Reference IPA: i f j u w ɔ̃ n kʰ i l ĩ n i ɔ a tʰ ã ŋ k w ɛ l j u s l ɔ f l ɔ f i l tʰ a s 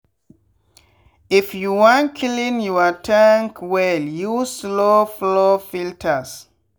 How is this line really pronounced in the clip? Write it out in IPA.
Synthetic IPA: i f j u w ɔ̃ n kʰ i l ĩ n j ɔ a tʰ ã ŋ k w ɛ l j u s l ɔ f l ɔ f i l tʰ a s

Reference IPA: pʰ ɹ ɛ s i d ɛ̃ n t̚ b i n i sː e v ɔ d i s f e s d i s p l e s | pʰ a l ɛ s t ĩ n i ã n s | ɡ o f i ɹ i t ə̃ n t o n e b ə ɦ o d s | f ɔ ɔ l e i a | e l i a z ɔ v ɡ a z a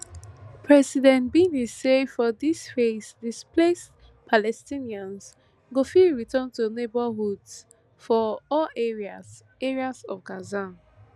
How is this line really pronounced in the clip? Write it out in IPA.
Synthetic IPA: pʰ ɹ ɛ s i d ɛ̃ n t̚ b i n i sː e f ɔ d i s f e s d i s p l e s | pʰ a l ɛ s t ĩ n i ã n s | ɡ o f i ɹ i t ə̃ n t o n e b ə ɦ u d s | f ɔ ɔ l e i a | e ɹ i a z ɔ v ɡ a z a

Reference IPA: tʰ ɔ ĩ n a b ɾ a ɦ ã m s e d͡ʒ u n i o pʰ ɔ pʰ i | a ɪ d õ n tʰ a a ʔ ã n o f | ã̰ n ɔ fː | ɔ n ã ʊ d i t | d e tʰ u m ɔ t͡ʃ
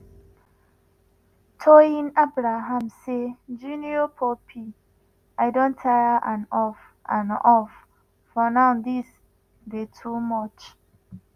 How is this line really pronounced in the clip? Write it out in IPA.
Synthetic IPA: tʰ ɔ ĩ n a b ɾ a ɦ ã m s e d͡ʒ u n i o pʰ ɔ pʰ i | a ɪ d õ n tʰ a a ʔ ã n ɔ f | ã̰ n ɔ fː | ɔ n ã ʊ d i s | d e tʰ u m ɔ t͡ʃ

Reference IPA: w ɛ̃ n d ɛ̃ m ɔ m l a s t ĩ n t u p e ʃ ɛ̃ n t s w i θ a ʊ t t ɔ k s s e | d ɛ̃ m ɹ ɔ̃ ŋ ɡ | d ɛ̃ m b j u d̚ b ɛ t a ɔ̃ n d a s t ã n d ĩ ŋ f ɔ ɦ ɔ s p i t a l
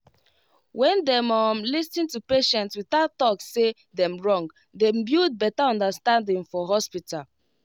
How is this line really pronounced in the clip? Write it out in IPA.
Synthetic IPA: w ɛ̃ n d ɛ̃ m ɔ m l i s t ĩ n t u p e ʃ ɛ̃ n t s w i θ a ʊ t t ɔ k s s e | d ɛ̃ m ɹ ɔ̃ ŋ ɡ | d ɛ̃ m b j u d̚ b ɛ t a ɔ̃ n d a s t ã n d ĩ ŋ f ɔ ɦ ɔ s p i t a l

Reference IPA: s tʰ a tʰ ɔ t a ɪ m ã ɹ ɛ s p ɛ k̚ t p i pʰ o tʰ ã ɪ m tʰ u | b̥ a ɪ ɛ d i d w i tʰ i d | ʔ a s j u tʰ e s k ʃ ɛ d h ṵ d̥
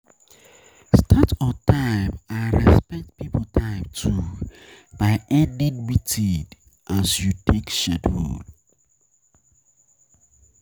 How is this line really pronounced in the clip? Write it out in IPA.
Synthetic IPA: s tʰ a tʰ ɔ t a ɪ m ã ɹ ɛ s p ɛ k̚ t p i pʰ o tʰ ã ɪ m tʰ u | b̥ a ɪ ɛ d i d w i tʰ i d | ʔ a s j u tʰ e k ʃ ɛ d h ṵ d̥

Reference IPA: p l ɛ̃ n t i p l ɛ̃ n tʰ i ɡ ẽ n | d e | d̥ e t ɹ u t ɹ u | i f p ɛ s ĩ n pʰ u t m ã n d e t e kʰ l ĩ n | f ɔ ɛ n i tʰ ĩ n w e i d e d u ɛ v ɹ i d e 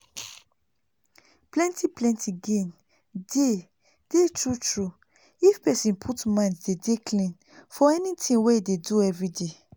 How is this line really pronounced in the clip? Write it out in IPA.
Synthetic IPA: p l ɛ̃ n t i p l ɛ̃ n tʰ i ɡ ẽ n | d e | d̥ e t ɹ u t ɹ u | i f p ɛ s ĩ n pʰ u t m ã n d e d e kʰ l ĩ n | f ɔ ɛ n i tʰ ĩ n w e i d e d u ɛ v ɹ i d e

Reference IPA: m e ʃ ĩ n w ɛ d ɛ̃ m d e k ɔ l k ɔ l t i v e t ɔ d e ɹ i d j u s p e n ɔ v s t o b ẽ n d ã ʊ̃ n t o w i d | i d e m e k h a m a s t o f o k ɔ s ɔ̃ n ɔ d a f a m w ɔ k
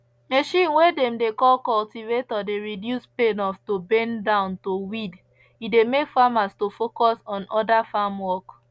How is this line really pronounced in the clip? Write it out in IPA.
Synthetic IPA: m e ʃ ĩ n w e d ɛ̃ m d e k ɔ l k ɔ l t i v e t ɔ d e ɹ i d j u s p e n ɔ f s t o b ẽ n d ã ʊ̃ n t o w i d | i d e m e k f a m a s t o f o k ɔ s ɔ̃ n ɔ d a f a m w ɔ k

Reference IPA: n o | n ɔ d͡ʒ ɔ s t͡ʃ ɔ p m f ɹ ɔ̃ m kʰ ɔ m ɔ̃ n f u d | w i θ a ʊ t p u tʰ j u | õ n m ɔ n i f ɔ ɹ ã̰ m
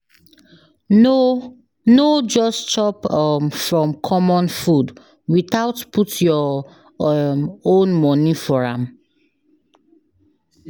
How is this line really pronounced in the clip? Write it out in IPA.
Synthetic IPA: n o | n o d͡ʒ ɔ s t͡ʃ ɔ p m f ɹ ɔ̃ m kʰ ɔ m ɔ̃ n f u d | w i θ a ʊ t p u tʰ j ɔ | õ n m ɔ n i f ɔ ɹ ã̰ m

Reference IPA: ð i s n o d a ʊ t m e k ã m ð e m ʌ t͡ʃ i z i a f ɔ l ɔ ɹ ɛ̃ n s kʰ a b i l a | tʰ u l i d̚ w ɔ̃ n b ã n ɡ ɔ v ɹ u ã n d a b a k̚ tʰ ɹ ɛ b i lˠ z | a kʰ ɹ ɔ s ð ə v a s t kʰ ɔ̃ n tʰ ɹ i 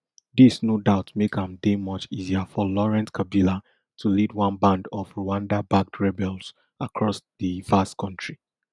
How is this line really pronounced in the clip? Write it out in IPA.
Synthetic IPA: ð i s n o d a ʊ t m e k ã m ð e m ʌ t͡ʃ i z i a f ɔ l ɔ ɹ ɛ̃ n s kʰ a b i l a | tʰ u l i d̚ w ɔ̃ n b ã n d ɔ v ɹ u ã n d a b a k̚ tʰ ɹ ɛ b ɛ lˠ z | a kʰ ɹ ɔ s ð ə v a s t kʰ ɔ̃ n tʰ ɹ i

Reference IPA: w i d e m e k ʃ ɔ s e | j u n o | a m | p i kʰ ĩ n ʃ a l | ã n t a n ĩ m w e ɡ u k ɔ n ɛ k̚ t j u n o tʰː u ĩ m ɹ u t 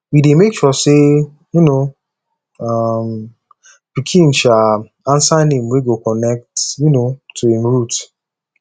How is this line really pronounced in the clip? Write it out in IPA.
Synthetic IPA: w i d e m e k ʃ ɔ s e | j u n o | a m | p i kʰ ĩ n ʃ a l | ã n s a n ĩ m w e ɡ o k ɔ n ɛ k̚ t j u n o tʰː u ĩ m ɹ u t

